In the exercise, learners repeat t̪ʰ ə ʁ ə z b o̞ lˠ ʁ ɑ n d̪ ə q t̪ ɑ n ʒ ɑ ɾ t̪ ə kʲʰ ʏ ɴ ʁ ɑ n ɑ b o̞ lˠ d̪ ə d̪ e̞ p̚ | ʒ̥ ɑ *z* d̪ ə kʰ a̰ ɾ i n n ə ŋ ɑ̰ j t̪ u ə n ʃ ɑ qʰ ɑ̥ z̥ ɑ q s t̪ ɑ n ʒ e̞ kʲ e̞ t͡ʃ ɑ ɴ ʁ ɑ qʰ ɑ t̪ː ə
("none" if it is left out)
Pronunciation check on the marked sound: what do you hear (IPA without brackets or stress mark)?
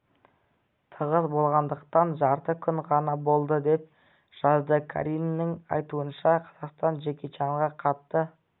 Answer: z